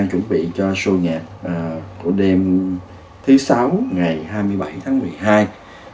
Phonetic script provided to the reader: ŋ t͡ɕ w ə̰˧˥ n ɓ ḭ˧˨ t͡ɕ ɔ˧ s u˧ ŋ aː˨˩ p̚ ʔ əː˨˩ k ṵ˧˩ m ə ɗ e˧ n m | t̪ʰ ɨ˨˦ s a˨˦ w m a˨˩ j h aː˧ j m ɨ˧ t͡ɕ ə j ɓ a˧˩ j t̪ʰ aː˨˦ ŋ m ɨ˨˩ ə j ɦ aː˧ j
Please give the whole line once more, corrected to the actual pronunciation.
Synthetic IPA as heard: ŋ t͡ɕ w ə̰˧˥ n ɓ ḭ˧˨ t͡ɕ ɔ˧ s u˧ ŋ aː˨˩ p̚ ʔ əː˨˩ k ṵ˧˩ ə ɗ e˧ m | t̪ʰ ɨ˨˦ s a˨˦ w ŋ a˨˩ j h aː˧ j m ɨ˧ ə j ɓ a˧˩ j t̪ʰ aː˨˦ ŋ m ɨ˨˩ ə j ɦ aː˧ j

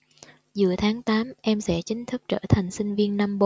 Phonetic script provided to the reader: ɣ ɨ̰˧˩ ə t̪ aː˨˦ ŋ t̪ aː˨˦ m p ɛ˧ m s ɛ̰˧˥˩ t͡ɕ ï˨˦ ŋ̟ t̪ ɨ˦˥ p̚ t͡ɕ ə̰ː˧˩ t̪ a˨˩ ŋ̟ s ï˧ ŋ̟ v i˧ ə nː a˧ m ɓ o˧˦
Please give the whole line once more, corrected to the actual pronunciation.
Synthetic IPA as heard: z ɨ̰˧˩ ə t̪ʰ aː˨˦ ŋ t̪ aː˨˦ m ʔ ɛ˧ m s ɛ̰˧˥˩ t͡ɕ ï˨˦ ŋ̟ t̪ʰ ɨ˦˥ k̚ t͡ɕ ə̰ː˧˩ t̪ʰ a˨˩ ŋ̟ s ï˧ ŋ̟ v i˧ ə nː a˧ m ɓ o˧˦

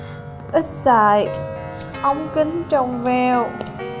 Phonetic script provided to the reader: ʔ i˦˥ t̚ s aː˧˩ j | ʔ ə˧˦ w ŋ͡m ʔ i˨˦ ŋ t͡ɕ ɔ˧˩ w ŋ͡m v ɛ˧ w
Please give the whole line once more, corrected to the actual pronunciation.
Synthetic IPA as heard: ʔ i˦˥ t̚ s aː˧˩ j | ʔ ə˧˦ w ŋ͡m k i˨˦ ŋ t͡ɕ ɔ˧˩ w ŋ͡m v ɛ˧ w

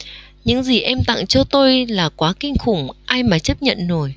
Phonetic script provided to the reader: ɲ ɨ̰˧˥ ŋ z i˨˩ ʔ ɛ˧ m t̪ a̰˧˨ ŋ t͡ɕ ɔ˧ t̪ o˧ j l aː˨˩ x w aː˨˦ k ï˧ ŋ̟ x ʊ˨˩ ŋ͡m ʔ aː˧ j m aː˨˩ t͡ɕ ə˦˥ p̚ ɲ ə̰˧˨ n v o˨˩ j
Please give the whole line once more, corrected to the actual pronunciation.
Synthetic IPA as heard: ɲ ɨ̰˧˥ ŋ z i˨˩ ʔ ɛ˧ m t̪ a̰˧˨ ŋ t͡ɕ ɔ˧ t̪ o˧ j l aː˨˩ k w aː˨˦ k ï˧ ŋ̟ x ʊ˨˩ ŋ͡m ʔ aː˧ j m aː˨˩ t͡ɕ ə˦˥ p̚ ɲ ə̰˧˨ n z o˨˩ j

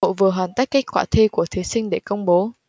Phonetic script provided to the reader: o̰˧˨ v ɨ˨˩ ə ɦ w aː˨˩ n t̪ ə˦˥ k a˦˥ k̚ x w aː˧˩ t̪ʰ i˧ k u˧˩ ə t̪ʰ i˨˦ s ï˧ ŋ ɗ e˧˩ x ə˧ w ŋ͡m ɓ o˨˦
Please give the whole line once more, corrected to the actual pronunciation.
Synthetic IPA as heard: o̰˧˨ v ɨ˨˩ ə ɦ w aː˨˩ n t̪ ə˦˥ k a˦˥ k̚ k w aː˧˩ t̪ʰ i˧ k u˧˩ ə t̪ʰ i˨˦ s ï˧ ŋ ɗ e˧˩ k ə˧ w ŋ͡m ɓ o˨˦

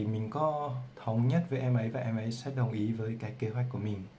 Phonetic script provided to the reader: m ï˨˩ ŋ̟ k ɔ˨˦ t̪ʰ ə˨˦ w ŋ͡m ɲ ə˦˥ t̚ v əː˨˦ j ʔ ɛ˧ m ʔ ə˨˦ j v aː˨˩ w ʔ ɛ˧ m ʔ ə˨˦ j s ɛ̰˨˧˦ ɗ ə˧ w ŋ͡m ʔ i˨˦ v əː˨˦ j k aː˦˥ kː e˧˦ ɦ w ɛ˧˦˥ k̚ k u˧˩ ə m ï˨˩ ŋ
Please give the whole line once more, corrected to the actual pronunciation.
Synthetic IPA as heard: m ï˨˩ ŋ̟ k ɔ˨˦ t̪ʰ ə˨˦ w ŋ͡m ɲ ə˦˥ t̚ v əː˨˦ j ʔ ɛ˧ m ʔ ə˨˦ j v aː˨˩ ʔ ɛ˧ m ʔ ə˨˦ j s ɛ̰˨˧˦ ɗ ə˨˩ w ŋ͡m ʔ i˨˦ v əː˨˦ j k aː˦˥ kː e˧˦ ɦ w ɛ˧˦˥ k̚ k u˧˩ ə m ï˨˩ ŋ

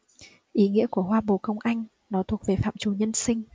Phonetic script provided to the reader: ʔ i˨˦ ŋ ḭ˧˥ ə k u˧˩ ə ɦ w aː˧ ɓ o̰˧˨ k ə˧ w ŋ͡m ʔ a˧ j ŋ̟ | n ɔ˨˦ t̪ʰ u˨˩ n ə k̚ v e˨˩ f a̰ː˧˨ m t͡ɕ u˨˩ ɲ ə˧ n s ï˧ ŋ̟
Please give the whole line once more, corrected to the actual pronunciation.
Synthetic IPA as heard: ʔ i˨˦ ŋ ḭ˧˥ ə k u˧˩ ə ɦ w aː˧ ɓ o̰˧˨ k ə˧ w ŋ͡m ʔ a˧ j ŋ̟ | n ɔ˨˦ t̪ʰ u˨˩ ə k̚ v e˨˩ f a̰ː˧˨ m t͡ɕ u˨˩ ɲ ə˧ n s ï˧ ŋ̟

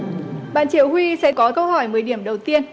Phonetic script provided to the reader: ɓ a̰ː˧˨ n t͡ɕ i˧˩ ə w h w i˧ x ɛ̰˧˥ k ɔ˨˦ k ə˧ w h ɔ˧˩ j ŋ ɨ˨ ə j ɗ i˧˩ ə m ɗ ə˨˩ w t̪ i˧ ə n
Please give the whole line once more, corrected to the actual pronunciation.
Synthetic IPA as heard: ɓ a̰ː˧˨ n t͡ɕ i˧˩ ə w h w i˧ s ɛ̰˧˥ k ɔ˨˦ k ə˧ w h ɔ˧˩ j m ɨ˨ ə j ɗ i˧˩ ə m ɗ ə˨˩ w t̪ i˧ ə n

